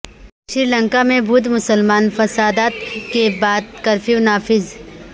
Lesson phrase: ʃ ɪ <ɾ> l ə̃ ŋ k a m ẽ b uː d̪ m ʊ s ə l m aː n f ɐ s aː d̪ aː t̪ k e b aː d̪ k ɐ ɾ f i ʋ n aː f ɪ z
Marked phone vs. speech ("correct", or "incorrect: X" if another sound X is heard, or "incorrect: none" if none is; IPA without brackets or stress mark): correct